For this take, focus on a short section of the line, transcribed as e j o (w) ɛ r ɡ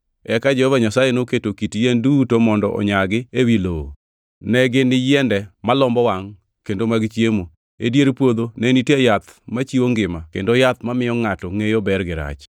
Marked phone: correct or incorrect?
incorrect